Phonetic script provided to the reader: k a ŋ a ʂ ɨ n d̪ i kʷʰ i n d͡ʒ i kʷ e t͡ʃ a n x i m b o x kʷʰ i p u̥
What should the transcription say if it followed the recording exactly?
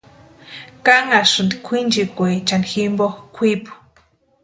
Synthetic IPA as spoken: k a ŋ a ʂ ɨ n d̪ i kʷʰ i n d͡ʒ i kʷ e t͡ʃ a n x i m b o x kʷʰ i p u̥